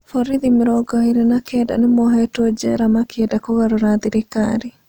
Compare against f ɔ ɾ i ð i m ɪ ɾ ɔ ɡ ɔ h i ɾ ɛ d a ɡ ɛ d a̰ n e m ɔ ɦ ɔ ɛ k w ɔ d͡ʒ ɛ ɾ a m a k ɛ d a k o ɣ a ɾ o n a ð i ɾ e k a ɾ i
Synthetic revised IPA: f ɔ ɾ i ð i m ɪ ɾ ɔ ɡ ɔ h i ɾ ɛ n a k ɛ d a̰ n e m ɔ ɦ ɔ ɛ t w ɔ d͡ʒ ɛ ɾ a m a k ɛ d a k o ɣ a ɾ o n a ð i ɾ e k a ɾ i